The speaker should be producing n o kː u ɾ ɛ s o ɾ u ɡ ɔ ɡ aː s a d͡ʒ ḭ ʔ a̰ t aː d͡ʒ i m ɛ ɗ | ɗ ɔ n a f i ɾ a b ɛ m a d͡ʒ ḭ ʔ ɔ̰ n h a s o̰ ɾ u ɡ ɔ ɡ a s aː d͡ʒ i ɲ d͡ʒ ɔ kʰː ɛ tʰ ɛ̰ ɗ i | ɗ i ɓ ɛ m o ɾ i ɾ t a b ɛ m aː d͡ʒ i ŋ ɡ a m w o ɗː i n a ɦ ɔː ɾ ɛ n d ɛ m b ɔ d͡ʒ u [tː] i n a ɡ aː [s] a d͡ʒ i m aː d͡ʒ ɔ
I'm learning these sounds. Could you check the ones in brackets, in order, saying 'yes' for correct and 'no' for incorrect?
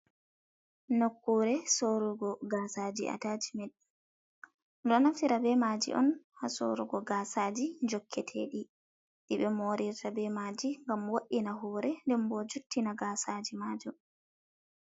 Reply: yes, yes

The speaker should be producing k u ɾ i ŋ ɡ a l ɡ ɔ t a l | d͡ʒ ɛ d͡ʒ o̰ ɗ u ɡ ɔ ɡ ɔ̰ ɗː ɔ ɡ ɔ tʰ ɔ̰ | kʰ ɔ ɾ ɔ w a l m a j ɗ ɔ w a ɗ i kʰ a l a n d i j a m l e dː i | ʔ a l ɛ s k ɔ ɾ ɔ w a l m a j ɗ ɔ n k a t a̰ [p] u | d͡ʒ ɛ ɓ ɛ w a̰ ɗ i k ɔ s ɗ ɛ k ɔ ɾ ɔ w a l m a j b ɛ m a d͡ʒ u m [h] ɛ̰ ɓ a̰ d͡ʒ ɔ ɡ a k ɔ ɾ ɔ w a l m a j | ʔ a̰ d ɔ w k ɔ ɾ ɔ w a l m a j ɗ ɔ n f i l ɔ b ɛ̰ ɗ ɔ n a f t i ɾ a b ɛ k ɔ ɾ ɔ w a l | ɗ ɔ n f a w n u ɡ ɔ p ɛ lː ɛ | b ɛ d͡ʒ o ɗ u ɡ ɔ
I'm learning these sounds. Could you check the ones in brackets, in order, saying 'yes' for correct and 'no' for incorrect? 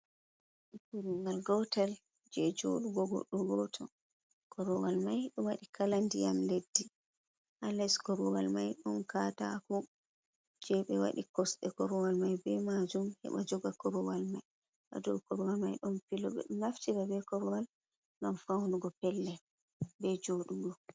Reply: no, yes

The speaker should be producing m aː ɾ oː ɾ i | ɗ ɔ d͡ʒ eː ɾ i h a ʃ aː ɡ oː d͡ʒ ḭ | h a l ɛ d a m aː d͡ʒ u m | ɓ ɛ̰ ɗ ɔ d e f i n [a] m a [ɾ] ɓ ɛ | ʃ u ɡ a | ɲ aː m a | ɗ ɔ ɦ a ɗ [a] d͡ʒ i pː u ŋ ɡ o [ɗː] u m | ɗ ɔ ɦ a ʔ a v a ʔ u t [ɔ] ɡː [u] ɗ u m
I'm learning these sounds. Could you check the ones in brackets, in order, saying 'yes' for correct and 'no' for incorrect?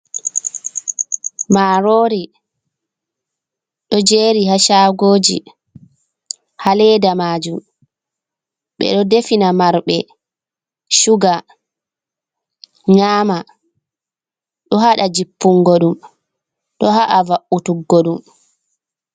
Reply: yes, yes, yes, no, no, no

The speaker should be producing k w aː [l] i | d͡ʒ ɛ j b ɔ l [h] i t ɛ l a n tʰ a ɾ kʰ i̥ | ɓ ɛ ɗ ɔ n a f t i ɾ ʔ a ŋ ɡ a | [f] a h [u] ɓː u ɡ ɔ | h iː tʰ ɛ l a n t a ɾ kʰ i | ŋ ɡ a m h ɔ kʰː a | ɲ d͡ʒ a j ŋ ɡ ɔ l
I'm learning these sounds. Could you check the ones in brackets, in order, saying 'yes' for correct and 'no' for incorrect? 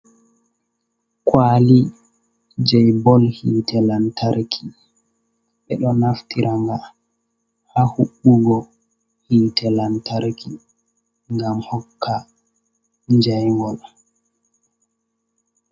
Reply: yes, yes, no, yes

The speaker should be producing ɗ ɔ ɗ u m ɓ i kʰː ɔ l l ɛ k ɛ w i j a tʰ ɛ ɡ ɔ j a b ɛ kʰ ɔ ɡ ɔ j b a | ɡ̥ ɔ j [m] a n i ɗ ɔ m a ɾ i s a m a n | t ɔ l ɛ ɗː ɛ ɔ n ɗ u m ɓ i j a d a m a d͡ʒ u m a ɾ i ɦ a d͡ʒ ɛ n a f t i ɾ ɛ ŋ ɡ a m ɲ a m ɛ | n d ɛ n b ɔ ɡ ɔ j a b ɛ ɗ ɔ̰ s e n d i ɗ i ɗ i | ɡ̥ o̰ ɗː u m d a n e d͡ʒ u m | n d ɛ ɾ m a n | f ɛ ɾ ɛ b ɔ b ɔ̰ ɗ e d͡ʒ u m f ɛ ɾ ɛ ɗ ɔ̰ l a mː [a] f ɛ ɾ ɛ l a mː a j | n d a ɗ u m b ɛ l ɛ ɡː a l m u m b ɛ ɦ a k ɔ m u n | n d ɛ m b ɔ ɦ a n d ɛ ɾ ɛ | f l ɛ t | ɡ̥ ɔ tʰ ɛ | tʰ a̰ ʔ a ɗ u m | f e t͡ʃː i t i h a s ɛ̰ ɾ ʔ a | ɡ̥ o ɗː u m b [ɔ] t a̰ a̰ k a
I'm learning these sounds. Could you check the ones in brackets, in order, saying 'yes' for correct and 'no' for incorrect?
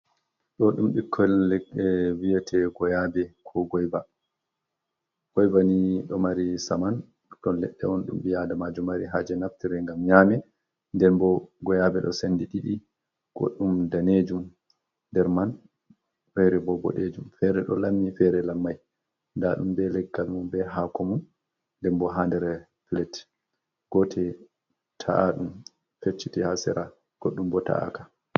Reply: no, no, yes

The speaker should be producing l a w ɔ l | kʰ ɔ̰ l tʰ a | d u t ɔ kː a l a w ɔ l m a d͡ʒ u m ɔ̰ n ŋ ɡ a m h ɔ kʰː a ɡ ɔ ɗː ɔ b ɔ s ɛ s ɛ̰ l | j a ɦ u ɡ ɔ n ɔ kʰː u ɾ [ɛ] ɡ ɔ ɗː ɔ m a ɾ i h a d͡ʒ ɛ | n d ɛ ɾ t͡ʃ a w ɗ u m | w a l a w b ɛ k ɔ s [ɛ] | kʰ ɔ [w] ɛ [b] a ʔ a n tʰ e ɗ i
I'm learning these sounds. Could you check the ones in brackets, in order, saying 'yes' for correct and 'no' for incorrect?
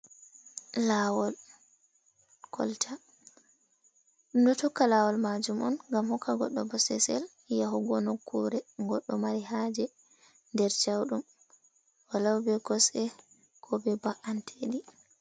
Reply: yes, yes, no, yes

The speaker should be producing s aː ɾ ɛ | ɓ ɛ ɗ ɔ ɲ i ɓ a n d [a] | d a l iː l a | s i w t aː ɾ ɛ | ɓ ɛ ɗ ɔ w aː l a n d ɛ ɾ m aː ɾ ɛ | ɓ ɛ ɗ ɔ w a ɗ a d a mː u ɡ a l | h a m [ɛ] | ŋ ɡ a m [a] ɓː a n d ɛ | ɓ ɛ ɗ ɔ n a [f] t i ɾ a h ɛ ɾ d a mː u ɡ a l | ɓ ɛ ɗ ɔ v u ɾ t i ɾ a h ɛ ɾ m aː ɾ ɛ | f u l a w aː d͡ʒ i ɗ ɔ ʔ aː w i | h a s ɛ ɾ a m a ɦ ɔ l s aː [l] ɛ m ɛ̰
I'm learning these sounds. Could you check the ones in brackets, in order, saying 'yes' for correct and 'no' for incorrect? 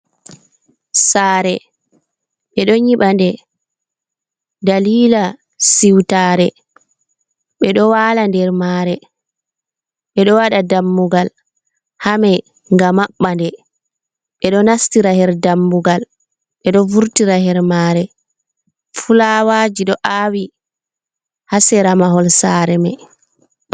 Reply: no, yes, yes, no, no

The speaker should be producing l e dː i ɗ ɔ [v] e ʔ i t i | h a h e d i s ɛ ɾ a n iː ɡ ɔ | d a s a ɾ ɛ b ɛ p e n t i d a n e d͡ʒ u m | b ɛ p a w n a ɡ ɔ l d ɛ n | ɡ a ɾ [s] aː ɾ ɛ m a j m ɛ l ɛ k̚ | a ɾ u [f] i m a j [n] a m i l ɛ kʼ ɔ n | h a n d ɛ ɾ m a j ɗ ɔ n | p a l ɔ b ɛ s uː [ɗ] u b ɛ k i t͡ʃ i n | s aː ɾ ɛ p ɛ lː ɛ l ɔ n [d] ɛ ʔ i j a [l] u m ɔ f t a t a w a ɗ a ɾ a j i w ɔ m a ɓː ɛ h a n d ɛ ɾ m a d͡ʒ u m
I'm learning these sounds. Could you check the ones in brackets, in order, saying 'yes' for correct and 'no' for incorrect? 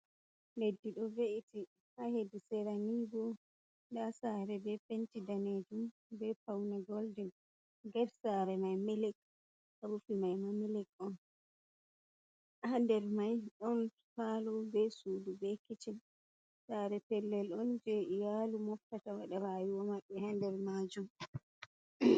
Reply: yes, yes, yes, no, no, no, yes

